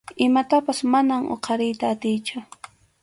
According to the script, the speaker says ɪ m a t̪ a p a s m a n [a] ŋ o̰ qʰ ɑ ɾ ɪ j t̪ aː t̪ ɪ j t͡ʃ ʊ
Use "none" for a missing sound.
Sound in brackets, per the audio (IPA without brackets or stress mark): a